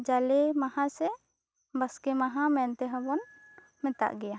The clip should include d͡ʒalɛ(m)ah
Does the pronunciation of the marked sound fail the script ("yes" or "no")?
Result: no